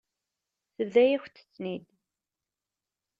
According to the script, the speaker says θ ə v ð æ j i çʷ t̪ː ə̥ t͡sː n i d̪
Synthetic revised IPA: θ ə v ð æ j æ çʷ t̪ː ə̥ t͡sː n i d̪